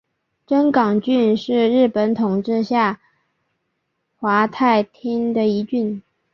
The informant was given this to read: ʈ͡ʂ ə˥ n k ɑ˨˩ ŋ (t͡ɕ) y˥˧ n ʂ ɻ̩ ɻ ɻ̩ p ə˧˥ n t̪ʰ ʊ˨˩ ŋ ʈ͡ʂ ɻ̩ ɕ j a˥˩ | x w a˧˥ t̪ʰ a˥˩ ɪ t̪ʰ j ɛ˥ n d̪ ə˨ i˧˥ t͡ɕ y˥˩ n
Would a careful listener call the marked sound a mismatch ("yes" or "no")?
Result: no